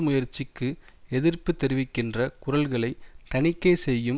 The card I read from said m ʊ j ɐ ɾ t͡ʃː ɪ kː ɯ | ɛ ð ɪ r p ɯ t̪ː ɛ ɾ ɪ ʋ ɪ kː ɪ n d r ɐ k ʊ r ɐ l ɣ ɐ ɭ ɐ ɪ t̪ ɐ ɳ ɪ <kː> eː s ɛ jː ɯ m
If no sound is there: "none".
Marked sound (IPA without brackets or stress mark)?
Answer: kː